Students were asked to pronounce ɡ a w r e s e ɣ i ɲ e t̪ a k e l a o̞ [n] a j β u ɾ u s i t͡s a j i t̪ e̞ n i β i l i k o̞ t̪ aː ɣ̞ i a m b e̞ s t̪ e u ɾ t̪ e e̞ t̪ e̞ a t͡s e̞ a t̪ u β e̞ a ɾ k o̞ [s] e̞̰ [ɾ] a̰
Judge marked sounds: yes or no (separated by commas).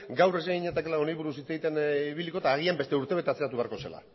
yes, yes, no